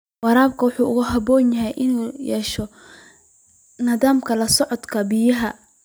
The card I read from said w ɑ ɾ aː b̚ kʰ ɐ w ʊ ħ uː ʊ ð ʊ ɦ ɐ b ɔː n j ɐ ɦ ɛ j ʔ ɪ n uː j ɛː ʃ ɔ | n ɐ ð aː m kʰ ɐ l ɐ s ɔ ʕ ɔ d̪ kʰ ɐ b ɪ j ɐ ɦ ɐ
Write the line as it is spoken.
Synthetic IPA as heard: w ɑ ɾ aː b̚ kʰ ɐ w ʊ ħ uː ʊ ɣ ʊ ɦ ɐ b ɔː n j ɐ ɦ ɛ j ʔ ɪ n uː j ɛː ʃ ɔ | n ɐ ð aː m kʰ ɐ l ɐ s ɔ ʕ ɔ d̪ kʰ ɐ b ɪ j ɐ ɦ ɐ